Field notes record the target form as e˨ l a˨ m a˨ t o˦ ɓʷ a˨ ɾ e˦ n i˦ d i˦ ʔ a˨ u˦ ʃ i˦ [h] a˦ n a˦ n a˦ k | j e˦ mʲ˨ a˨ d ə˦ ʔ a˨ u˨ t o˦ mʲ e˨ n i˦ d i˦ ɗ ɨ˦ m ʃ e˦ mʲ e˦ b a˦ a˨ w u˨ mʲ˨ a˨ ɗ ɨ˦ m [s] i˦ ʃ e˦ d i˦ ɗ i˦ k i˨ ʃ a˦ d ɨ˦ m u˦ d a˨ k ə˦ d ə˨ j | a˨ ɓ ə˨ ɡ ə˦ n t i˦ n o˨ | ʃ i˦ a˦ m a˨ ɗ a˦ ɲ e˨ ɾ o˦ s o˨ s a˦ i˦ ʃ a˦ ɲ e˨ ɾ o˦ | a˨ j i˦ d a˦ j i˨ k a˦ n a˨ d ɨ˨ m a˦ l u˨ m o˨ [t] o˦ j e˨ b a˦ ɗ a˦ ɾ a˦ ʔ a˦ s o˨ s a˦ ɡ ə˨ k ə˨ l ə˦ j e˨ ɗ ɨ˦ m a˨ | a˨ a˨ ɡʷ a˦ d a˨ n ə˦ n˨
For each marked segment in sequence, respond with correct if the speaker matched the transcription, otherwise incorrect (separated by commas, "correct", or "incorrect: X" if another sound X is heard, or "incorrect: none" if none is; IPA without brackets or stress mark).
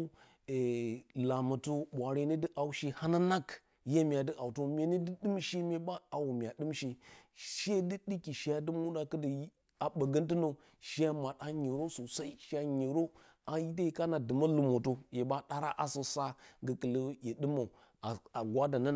correct, incorrect: ʃ, correct